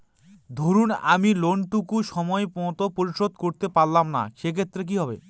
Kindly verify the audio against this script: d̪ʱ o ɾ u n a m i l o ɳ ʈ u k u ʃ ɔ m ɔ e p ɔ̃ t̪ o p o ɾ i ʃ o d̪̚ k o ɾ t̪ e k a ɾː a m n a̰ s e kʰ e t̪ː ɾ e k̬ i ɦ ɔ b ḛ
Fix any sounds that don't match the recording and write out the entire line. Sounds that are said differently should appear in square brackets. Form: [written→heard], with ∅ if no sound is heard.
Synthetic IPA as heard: d̪ʱ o ɾ u n a m i l o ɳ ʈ u k u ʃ ɔ m ɔ e p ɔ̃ t̪ o p o ɾ i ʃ o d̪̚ k o ɾ t̪ e [k→p] a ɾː a m n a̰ [s→ʃ] e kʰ e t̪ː ɾ e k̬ i ɦ ɔ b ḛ

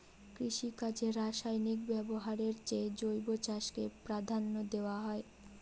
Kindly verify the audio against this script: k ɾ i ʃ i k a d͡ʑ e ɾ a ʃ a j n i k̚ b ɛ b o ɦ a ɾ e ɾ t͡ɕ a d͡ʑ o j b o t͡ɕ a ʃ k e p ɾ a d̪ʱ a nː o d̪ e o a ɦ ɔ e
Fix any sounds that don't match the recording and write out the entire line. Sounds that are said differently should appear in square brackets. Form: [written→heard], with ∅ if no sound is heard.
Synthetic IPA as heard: k ɾ i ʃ i k a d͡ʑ e ɾ a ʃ a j n i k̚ b ɛ b o ɦ a ɾ e ɾ t͡ɕ [a→e] d͡ʑ o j b o t͡ɕ a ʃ k e p ɾ a d̪ʱ a nː o d̪ e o a ɦ ɔ e

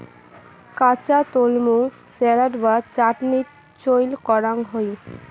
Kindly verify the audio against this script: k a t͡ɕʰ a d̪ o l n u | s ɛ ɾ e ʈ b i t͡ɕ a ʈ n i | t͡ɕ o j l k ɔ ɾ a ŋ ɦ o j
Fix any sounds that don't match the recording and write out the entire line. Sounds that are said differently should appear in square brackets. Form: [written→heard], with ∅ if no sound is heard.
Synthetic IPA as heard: k a [t͡ɕʰ→t͡ɕ] a [d̪→t̪] o l [n→m] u | s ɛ ɾ [e→a] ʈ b [i→a] t͡ɕ a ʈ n i | t͡ɕ o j l k ɔ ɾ a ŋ ɦ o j

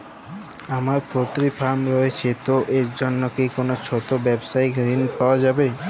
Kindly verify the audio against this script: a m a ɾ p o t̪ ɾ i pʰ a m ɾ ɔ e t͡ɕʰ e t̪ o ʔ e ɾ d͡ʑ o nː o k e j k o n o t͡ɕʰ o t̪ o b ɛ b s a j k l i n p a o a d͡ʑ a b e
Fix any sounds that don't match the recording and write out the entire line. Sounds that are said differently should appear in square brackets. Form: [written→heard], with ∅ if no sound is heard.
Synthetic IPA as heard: a m a ɾ p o t̪ ɾ i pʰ a m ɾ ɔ e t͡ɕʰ e t̪ o ʔ e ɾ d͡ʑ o nː o k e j k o n o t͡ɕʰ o t̪ o b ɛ b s a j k [l→ɾ] i n p a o a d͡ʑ a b e

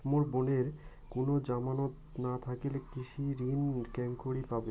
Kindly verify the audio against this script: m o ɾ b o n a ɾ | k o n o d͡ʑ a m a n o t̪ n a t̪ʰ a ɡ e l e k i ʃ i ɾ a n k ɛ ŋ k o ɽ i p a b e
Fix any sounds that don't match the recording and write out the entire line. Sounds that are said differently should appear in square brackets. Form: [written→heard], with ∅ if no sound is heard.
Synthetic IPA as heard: m o ɾ b o n [a→e] ɾ | k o n o d͡ʑ a m a n o t̪ n a t̪ʰ a [ɡ→k] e l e k i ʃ i ɾ [a→i] n k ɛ ŋ k o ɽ i p a b e

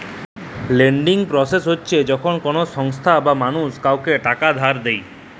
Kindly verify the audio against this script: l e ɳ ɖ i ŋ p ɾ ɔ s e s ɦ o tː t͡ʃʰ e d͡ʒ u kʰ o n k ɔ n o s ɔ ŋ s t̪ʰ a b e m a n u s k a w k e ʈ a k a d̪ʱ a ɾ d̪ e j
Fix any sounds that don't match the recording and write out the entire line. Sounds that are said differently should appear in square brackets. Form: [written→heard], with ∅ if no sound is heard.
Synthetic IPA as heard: l e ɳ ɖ i ŋ p ɾ ɔ s e s ɦ o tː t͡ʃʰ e d͡ʒ [u→ɔ] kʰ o n k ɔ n o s ɔ ŋ s t̪ʰ a b [e→a] m a n u s k a w k e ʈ a k a d̪ʱ a ɾ d̪ e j

